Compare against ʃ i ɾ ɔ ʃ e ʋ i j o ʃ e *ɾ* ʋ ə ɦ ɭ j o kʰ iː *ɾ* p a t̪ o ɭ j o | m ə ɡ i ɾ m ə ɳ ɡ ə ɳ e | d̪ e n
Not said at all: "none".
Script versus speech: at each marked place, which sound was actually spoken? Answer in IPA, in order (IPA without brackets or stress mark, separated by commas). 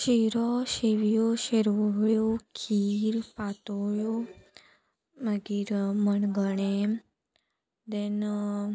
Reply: ɾ, ɾ